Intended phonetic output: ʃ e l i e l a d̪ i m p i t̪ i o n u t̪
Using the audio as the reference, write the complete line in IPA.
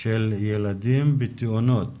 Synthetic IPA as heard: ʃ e l j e l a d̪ i m b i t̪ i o n o t̪